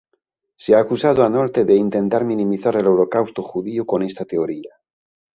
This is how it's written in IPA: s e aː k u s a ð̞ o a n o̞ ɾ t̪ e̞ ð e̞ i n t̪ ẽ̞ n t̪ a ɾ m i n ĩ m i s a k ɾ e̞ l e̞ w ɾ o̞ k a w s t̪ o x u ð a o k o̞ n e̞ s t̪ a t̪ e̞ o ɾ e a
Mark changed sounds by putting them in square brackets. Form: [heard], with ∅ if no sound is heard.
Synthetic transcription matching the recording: s e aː k u s a ð̞ o a n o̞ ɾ t̪ e̞ ð e̞ i n t̪ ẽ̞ n t̪ a ɾ m i n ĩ m i [θ] a [∅] ɾ e̞ l e̞ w ɾ o̞ k a w s t̪ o x u ð [i] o k o̞ n e̞ s t̪ a t̪ e̞ o ɾ [i] a

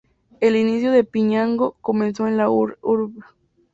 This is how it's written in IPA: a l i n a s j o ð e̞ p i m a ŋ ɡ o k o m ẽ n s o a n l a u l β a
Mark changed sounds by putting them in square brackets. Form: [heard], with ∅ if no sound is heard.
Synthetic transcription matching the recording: [e] l i n [i] s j o ð e̞ p i [ɲ] a ŋ ɡ o k o m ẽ n s o [e] n l a u [ɾ] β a

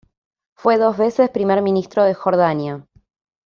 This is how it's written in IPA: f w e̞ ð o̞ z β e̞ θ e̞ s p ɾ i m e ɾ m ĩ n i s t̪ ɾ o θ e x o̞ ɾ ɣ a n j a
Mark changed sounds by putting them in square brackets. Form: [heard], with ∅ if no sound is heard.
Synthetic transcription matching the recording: f w e̞ ð o̞ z β e̞ [s] e̞ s p ɾ i m e ɾ m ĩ n i s t̪ ɾ o [ð] e x o̞ ɾ [ð] a n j a

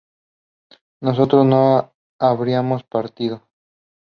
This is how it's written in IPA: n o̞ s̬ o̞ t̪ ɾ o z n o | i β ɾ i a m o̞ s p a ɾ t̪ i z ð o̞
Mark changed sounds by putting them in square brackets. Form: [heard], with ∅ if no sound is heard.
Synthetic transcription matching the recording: n o̞ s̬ o̞ t̪ ɾ o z n o | [a] β ɾ i a m o̞ s p a ɾ t̪ i [∅] ð o̞

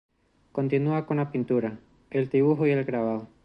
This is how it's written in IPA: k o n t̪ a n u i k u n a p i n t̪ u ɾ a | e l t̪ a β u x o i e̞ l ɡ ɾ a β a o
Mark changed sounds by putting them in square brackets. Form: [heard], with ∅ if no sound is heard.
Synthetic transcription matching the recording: k o n t̪ [i] n u [a] k [o] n a p i n t̪ u ɾ a | e l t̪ [i] β u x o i e̞ l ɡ ɾ a β a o

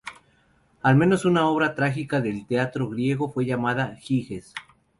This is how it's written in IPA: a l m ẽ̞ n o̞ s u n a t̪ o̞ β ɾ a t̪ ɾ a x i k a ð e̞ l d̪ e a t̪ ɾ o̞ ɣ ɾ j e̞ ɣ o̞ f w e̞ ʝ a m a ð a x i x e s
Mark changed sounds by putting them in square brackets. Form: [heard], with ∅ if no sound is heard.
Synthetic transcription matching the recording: a l m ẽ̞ n o̞ s u n a [∅] o̞ β ɾ a t̪ ɾ a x i k a ð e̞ l [t̪] e a t̪ ɾ o̞ ɣ ɾ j e̞ ɣ o̞ f w e̞ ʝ a m a ð a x i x e s

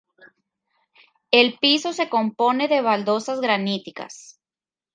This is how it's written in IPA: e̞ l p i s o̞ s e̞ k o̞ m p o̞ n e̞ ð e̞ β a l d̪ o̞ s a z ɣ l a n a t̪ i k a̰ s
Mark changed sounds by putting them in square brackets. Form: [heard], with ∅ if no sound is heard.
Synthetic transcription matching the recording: e̞ l p i s o̞ s e̞ k o̞ m p o̞ n e̞ ð e̞ β a l d̪ o̞ s a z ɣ [ɾ] a n [i] t̪ i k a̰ s

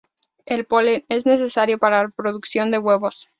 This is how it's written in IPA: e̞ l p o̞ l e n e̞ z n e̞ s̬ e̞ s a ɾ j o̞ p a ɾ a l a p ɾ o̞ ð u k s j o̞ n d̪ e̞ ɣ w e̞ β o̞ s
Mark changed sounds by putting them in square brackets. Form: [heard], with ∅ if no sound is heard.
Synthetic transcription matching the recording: e̞ l p o̞ l e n e̞ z n e̞ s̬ e̞ s a ɾ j o̞ p a ɾ a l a p ɾ o̞ ð u k s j o̞ n d̪ e̞ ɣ w e̞ β o̞ s

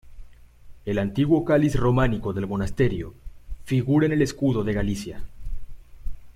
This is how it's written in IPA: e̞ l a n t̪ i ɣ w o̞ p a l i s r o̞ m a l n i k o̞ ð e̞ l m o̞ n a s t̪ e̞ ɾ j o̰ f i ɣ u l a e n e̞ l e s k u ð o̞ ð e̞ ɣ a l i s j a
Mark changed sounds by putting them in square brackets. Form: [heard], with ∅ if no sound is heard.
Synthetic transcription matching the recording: e̞ l a n t̪ i ɣ w o̞ [k] a l i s r o̞ m a [∅] n i k o̞ ð e̞ l m o̞ n a s t̪ e̞ ɾ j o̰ f i ɣ u [ɾ] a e n e̞ l e s k u ð o̞ ð e̞ ɣ a l i s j a

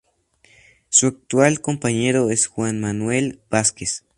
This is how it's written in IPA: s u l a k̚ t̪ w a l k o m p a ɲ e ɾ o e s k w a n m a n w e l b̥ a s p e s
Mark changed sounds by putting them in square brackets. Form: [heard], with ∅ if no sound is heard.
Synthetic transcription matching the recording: s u [∅] a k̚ t̪ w a l k o m p a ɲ e ɾ o e s [x] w a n m a n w e l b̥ a s [k] e s

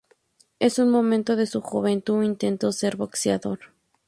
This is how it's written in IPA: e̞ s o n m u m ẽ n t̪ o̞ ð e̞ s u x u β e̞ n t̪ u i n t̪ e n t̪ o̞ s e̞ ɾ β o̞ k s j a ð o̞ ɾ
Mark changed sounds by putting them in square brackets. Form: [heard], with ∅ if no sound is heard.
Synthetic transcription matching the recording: e̞ s [u] n m [o] m ẽ n t̪ o̞ ð e̞ s u x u β e̞ n t̪ u i n t̪ e n t̪ o̞ s e̞ ɾ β o̞ k s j a ð o̞ ɾ

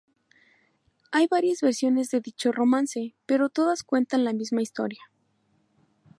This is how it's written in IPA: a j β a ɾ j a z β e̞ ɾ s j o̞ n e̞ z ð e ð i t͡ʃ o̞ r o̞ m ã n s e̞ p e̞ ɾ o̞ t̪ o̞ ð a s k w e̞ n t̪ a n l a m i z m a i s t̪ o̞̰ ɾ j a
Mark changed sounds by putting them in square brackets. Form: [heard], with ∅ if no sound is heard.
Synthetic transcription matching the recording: a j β a ɾ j a z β e̞ ɾ s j o̞ n e̞ z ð e ð i t͡ʃ o̞ r o̞ m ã n s e̞ p e̞ ɾ o̞ t̪ o̞ ð a s k w e̞ n t̪ a n l a m i z m a i s t̪ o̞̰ ɾ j a

